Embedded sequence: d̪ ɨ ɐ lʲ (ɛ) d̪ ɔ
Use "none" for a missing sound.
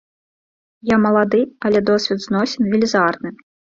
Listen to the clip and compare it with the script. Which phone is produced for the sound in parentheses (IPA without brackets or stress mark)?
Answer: ɛ